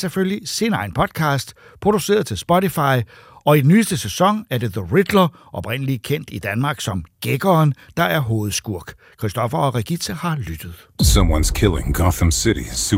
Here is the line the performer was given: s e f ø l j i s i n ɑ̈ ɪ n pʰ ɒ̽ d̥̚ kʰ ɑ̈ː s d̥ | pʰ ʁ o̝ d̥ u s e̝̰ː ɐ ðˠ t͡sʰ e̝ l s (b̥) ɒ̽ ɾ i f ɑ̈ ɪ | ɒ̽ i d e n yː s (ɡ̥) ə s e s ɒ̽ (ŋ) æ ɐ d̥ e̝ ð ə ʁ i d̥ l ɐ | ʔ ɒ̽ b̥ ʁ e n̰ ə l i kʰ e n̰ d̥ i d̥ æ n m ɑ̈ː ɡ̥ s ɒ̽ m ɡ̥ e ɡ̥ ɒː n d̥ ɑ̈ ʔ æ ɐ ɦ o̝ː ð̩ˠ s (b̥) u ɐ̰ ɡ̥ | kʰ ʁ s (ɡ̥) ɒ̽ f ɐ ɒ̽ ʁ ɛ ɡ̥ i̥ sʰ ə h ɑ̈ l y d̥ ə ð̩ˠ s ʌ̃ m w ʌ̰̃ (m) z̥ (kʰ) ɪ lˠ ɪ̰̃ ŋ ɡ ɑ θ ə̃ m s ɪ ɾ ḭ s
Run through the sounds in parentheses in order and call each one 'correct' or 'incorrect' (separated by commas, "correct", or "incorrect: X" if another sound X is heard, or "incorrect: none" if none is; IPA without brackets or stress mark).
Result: correct, incorrect: d̥, correct, incorrect: ɡ̥, incorrect: d̥, incorrect: n, correct